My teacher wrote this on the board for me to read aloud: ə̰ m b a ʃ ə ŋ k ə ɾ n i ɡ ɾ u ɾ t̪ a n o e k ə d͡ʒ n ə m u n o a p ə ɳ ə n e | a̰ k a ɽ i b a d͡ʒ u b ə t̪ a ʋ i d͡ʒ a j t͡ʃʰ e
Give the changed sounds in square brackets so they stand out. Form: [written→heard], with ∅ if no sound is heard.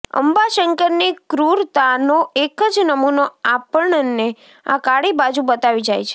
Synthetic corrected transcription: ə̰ m b a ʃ ə ŋ k ə ɾ n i [ɡ→k] ɾ u ɾ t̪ a n o e k ə d͡ʒ n ə m u n o a p ə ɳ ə n e | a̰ k a ɽ i b a d͡ʒ u b ə t̪ a ʋ i d͡ʒ a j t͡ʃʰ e

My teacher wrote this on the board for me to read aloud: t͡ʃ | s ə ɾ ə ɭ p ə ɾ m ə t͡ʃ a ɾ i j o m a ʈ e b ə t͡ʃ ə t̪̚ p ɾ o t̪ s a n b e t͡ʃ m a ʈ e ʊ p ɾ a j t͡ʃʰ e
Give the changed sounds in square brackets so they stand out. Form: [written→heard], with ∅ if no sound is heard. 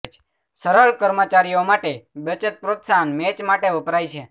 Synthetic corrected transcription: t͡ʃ | s ə ɾ ə ɭ [p→k] ə ɾ m ə t͡ʃ a ɾ i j o m a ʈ e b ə t͡ʃ ə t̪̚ p ɾ o t̪ s a n [b→m] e t͡ʃ m a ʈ e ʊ p ɾ a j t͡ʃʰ e

